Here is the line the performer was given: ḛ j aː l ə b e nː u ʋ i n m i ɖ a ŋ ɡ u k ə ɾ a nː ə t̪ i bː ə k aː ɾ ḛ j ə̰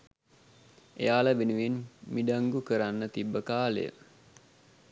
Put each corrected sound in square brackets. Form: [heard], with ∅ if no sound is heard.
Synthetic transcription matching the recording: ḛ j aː l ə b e [n] u ʋ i n m i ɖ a ŋ ɡ u k ə ɾ a nː ə t̪ i bː ə k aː [l] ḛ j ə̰